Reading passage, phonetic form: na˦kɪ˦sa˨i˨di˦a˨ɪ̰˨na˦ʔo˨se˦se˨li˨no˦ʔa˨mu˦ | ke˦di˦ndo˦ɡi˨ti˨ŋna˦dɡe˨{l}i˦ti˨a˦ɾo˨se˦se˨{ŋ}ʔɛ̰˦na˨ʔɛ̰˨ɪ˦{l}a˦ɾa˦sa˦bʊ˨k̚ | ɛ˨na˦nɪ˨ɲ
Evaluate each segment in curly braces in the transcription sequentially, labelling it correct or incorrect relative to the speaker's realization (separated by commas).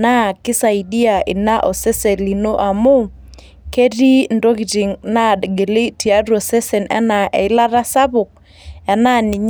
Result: correct, incorrect, correct